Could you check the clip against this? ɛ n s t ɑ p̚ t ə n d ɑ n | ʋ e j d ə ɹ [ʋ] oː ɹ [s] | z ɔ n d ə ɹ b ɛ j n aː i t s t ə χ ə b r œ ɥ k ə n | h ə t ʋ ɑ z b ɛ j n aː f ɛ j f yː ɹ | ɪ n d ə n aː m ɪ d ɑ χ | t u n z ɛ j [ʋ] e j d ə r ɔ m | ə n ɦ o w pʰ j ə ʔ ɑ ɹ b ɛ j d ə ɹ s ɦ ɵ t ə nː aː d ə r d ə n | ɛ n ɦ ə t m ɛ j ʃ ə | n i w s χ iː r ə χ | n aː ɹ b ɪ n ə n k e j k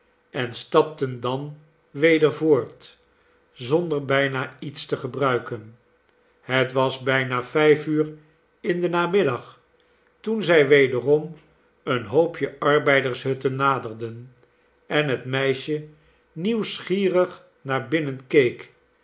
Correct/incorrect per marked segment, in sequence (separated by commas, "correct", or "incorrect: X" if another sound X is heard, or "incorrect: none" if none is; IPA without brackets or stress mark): incorrect: v, incorrect: t, correct